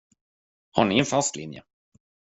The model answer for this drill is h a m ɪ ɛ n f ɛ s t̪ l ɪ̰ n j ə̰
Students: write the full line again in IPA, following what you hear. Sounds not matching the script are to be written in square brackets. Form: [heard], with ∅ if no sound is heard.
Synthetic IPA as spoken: h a [ɳ] ɪ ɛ n f [a] s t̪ l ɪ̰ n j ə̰